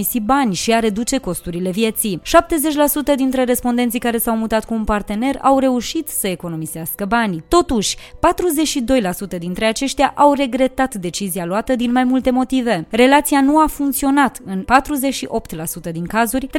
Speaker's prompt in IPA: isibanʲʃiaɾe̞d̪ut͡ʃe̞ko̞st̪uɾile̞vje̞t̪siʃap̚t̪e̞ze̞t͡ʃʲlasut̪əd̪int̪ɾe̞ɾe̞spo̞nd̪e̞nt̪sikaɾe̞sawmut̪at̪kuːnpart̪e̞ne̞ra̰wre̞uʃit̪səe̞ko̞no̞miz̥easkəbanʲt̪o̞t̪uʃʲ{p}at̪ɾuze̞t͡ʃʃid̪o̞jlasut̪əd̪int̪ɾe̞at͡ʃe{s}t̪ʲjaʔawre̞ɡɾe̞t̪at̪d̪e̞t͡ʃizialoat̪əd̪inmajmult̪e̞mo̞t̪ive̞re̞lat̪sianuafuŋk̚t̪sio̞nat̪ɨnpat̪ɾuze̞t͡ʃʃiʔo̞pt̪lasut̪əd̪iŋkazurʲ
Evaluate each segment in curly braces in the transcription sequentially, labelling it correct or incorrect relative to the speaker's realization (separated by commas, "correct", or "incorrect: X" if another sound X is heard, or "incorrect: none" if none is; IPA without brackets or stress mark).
correct, incorrect: ʃ